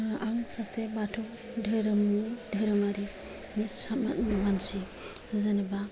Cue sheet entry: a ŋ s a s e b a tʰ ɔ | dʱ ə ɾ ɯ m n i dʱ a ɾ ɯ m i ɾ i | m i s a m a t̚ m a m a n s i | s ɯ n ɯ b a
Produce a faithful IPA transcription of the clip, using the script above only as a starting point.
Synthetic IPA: a ŋ s a s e b a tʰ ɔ | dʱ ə ɾ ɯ m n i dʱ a ɾ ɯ m a ɾ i | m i s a m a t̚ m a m a n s i | z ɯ n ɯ b a